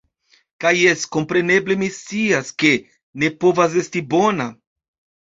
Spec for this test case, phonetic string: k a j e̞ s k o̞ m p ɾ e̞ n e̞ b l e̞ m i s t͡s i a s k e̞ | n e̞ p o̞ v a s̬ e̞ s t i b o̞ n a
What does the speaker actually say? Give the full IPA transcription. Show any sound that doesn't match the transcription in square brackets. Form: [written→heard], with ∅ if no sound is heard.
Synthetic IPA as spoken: k a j e̞ s k o̞ m p ɾ e̞ n e̞ b l e̞ m i s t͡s i a s k e̞ | n e̞ p o̞ v a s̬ e̞ s t i b o̞ n a